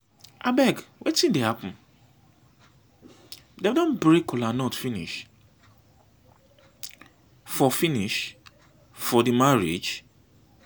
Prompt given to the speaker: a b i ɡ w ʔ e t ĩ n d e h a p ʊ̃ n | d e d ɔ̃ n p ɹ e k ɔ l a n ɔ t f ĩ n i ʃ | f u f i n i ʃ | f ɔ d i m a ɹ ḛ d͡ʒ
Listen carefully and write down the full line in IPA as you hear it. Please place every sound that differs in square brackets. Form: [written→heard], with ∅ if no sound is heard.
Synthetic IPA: a b [i→ɛ] ɡ w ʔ e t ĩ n d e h a p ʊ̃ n | d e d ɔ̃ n [p→b] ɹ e k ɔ l a n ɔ t f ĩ n i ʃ | f [u→ɔ] f i n i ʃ | f ɔ d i m a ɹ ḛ d͡ʒ